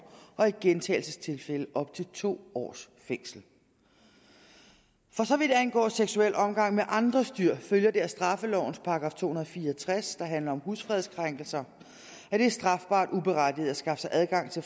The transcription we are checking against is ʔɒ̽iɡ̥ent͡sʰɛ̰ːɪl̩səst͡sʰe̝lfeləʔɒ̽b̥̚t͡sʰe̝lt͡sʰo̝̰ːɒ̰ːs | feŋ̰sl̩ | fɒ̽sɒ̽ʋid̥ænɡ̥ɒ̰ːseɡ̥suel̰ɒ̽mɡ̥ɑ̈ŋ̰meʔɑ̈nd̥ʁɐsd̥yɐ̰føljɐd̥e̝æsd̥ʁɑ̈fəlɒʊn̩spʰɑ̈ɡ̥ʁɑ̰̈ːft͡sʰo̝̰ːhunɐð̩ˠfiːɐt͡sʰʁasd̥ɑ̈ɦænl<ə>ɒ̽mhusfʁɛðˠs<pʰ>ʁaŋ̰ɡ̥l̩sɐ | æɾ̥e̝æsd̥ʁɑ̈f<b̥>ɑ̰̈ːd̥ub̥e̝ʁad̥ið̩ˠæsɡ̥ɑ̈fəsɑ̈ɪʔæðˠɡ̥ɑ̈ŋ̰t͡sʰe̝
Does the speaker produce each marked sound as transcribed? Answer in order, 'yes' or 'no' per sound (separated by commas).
no, no, yes